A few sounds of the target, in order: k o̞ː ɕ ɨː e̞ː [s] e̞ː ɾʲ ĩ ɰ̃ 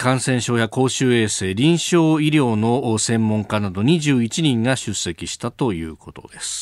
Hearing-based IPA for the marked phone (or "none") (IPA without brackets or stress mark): s